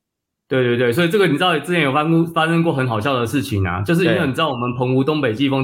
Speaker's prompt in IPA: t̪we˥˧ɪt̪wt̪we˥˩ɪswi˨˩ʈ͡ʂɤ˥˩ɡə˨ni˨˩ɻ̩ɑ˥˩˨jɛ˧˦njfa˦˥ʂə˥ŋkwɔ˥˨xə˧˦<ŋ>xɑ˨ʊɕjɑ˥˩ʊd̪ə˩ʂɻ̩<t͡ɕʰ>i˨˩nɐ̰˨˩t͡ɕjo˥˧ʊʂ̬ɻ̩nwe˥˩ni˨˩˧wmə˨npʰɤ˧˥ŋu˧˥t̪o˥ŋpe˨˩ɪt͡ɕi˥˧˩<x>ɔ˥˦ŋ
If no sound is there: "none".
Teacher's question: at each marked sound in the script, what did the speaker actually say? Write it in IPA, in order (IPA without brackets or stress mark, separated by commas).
n, t͡ɕʰ, f